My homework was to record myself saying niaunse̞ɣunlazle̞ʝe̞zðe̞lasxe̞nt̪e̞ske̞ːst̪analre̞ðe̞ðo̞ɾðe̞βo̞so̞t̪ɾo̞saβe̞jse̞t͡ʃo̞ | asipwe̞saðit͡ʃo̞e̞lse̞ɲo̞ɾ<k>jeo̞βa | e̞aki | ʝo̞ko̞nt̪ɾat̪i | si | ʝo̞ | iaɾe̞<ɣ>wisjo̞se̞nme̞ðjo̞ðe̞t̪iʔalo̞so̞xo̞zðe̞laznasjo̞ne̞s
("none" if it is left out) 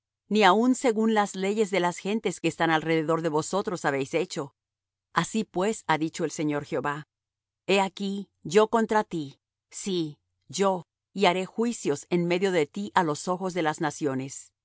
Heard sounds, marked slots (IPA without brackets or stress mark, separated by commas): x, x